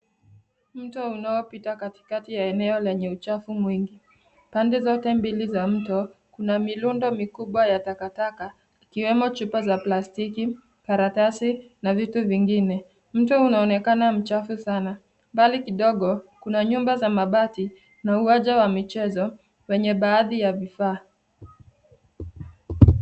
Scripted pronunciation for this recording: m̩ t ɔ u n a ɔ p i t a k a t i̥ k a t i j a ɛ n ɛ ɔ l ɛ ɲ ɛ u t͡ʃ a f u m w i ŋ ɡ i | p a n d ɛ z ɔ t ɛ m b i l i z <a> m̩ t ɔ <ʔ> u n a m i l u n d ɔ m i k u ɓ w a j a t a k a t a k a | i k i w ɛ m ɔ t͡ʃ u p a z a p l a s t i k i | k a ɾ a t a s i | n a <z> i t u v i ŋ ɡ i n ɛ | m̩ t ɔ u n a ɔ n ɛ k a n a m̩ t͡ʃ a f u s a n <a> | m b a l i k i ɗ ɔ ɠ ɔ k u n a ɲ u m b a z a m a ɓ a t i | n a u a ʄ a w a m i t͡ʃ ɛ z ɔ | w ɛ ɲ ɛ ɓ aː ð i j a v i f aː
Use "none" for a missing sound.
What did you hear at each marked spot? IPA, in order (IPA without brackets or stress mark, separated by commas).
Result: a, k, v, a